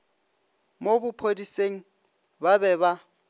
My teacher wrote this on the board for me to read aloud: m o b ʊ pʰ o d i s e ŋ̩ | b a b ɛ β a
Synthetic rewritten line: m o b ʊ pʰ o d i s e ŋ̩ | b a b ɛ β a